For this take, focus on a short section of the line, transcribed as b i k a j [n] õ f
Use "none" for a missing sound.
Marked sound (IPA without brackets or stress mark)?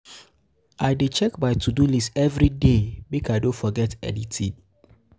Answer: d